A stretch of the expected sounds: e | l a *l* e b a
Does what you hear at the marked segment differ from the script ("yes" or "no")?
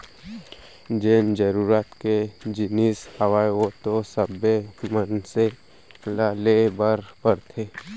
no